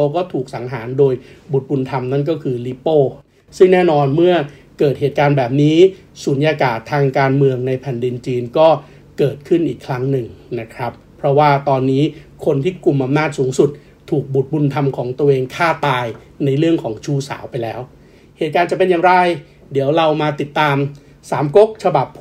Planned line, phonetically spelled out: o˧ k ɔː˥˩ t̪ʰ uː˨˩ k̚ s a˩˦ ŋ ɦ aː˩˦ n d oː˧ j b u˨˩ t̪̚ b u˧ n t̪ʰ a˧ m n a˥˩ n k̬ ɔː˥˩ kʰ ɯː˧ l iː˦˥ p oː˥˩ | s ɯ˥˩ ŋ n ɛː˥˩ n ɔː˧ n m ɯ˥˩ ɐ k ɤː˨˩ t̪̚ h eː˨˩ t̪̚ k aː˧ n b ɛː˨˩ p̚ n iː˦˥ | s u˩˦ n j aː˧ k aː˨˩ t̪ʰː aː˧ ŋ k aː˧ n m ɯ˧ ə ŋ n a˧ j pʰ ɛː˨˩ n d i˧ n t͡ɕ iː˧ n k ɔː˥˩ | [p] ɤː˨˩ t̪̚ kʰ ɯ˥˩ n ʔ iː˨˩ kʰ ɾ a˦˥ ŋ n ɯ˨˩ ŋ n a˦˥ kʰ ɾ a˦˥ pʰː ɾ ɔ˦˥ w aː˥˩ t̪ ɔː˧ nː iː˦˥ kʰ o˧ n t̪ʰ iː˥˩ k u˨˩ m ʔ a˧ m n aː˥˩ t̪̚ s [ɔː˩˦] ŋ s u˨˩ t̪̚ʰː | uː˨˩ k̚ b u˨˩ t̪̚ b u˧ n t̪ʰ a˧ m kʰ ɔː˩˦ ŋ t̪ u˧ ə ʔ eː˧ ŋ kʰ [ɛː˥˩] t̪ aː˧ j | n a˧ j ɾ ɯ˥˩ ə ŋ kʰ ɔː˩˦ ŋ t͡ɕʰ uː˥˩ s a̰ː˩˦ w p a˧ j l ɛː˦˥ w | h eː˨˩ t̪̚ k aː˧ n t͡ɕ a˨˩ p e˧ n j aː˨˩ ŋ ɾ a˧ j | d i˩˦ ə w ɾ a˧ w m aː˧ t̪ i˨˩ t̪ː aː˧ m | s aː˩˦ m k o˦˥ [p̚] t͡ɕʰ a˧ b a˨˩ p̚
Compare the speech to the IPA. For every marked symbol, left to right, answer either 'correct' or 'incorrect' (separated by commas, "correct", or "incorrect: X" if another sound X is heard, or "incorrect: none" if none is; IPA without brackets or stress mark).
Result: incorrect: k, incorrect: uː˩˦, incorrect: aː˥˩, incorrect: k̚